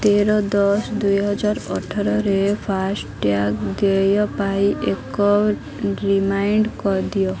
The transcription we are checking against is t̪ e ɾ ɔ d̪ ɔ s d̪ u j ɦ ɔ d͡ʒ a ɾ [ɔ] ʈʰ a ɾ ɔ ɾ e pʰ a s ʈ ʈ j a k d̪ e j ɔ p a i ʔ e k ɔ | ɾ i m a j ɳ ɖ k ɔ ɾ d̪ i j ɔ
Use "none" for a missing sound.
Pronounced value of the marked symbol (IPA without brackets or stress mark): ɔ